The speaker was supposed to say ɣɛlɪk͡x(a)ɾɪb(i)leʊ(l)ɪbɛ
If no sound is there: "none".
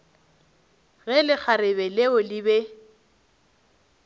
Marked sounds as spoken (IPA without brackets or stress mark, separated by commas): a, ɛ, l